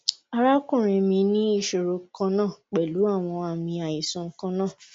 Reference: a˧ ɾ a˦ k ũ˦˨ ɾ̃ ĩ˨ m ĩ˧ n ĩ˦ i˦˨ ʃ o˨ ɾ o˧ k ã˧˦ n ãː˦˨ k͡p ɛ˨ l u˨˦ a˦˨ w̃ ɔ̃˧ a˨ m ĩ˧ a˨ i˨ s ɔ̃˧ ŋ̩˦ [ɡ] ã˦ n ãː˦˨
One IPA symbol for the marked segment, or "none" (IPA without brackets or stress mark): k